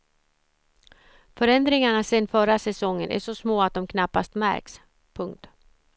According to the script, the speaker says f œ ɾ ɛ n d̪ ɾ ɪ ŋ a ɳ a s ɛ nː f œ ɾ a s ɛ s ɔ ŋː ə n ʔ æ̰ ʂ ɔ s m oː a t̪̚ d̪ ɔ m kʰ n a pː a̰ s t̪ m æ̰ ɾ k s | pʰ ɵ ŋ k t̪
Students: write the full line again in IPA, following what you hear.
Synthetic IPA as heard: f œ ɾ ɛ n d̪ ɾ ɪ ŋ a ɳ a s ɛ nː f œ ɾ a s ɛ s ɔ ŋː ə n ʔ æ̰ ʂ ɔ s m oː a t̪̚ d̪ ɔ m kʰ n a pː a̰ s t̪ m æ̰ ɾ k s | pʰ ɵ ŋ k t̪